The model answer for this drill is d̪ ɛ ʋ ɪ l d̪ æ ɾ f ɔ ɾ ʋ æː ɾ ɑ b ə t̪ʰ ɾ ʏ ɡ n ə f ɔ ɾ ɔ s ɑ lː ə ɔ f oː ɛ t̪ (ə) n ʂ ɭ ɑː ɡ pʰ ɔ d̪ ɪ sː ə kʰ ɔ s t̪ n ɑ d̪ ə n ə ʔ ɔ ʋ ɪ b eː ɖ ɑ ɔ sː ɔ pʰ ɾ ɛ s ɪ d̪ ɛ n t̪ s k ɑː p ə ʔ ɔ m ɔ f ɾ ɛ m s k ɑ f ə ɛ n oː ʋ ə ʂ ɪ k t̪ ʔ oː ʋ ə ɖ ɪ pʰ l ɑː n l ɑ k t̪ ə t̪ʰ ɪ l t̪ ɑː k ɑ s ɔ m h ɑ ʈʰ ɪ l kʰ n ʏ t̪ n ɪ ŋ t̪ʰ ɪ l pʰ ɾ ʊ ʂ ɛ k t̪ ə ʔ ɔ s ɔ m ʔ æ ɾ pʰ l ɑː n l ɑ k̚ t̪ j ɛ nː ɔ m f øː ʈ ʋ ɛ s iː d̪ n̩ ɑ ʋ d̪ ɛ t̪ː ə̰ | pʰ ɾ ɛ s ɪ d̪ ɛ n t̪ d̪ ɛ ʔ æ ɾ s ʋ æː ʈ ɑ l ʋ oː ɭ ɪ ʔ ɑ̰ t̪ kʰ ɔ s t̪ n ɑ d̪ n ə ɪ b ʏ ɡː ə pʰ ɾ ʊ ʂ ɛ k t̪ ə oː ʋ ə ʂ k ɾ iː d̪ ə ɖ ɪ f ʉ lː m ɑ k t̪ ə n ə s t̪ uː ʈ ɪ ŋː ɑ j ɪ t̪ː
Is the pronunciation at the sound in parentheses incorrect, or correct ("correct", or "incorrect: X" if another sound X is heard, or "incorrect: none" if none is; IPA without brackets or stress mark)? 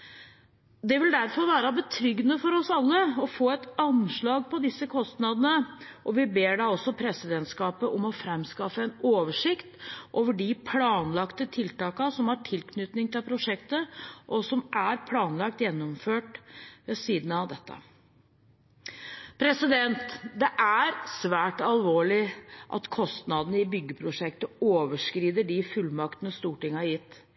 incorrect: ɑ